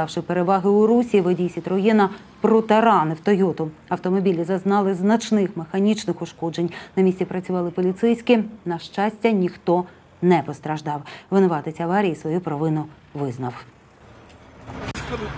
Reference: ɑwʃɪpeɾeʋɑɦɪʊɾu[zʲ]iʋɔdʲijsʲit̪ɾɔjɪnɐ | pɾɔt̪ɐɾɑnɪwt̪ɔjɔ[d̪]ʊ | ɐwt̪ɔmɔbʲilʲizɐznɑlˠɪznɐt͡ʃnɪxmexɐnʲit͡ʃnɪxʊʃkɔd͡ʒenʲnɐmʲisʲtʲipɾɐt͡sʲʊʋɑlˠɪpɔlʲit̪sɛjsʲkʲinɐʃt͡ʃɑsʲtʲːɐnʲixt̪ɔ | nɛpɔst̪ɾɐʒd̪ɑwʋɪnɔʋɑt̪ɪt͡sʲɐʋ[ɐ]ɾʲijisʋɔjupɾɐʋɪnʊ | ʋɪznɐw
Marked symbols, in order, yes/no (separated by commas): no, no, no